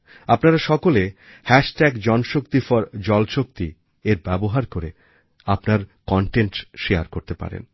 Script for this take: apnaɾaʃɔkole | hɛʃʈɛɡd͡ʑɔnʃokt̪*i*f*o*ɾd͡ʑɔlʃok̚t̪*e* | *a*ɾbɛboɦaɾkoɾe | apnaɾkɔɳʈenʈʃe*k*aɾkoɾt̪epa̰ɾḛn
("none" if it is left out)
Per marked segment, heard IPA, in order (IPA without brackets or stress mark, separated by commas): i, ɔ, i, e, none